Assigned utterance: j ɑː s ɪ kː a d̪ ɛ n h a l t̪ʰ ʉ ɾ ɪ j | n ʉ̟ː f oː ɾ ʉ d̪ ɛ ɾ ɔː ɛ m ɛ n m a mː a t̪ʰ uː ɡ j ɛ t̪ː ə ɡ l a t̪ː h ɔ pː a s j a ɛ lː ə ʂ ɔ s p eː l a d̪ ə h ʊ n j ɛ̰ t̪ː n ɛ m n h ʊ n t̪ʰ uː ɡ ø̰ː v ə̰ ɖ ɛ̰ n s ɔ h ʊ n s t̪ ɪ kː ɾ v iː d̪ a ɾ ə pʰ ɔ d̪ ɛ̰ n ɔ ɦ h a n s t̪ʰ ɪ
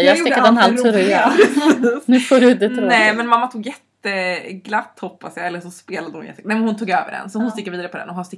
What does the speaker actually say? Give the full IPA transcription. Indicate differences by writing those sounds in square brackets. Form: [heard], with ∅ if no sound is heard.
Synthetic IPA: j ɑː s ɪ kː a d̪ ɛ n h a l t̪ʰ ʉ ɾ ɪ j | n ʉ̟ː f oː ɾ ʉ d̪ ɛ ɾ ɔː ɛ m ɛ n m a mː a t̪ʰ uː ɡ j ɛ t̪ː ə ɡ l a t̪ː h ɔ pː a s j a ɛ lː ə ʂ ɔ s p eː l a d̪ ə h ʊ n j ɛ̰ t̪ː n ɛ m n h ʊ n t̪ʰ uː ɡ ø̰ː v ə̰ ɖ ɛ̰ n s ɔ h ʊ n s t̪ ɪ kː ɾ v iː d̪ a ɾ ə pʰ ɔ d̪ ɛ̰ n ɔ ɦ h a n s [t̪] ɪ